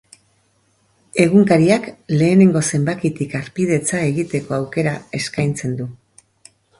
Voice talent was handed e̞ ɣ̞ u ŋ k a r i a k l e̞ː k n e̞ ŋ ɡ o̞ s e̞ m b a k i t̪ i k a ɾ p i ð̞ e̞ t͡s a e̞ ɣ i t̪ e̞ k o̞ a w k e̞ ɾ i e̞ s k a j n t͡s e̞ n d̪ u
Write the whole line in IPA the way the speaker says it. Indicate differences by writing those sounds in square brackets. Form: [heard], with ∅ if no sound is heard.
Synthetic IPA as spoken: e̞ ɣ̞ u ŋ k a [ɾ] i a k l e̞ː [∅] n e̞ ŋ ɡ o̞ s e̞ m b a k i t̪ i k a ɾ p i ð̞ e̞ t͡s a e̞ ɣ i t̪ e̞ k o̞ a w k e̞ ɾ [a] e̞ s k a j n t͡s e̞ n d̪ u